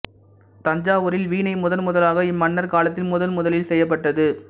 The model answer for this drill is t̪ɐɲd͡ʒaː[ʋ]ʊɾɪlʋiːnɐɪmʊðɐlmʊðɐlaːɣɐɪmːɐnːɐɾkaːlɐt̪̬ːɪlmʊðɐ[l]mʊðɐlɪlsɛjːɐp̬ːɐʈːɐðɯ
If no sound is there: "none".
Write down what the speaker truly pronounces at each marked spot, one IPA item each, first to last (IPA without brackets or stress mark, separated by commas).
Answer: ʋ, l